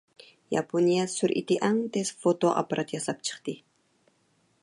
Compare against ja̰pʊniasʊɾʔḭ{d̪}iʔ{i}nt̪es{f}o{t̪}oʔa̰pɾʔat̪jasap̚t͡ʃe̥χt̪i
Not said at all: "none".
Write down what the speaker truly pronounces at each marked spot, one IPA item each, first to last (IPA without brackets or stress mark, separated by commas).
t̪, a, f, t̪